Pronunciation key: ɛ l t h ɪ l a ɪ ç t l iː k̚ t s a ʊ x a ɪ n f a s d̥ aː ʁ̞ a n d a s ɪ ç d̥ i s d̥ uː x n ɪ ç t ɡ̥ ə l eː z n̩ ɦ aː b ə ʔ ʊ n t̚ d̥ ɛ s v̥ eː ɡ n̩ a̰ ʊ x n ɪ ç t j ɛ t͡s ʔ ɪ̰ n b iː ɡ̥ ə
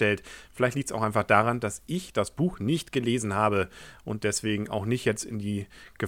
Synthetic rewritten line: ɛ l t f ɪ l a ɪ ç t l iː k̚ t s a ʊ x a ɪ n f a χ d̥ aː ʁ̞ a n d a s ɪ ç d̥ a s b̥ uː x n ɪ ç t ɡ̥ ə l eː z n̩ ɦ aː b ə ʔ ʊ n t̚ d̥ ɛ s v̥ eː ɡ ŋ̩ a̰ ʊ x n ɪ ç t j ɛ t͡s t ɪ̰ n d iː ɡ̥ ə